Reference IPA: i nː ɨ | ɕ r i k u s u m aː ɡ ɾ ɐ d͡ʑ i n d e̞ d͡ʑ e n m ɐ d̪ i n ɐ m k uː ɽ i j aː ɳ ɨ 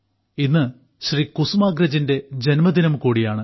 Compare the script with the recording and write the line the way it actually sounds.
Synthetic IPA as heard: i nː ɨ | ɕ r i k u s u m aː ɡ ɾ ɐ d͡ʑ i n d e̞ d͡ʑ e n m ɐ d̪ i n ɐ m k uː ɽ i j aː ɳ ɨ